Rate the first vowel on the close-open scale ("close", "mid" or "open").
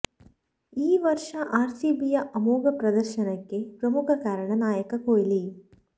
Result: close